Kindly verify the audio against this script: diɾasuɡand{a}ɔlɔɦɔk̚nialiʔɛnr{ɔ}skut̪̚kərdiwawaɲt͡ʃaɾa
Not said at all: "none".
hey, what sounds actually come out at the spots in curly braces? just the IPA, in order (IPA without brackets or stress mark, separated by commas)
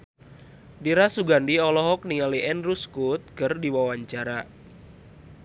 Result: i, u